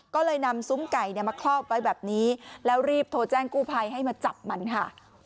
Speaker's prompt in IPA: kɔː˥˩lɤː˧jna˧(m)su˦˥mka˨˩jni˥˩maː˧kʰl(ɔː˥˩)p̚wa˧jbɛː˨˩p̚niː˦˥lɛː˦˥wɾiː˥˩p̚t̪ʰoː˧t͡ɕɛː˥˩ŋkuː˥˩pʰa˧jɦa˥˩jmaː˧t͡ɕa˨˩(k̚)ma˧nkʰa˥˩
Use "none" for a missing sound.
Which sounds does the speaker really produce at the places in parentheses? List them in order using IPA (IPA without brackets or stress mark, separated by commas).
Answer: m, ɔː˥˩, p̚